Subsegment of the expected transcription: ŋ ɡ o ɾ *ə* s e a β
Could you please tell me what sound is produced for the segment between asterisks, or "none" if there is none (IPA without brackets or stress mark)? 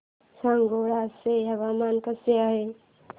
a